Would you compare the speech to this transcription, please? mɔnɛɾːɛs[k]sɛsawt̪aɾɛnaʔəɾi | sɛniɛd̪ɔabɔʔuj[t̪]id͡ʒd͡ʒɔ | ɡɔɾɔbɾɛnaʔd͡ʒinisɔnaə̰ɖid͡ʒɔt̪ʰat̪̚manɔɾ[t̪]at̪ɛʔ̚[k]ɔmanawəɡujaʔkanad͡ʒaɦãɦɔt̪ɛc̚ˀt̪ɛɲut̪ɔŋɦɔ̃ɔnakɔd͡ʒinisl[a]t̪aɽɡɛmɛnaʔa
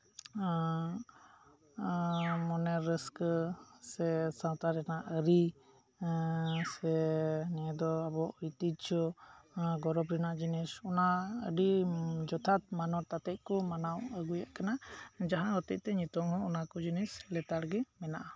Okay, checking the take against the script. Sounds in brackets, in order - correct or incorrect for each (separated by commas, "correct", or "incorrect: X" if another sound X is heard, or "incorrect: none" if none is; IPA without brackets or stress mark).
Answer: correct, correct, correct, correct, incorrect: ɛ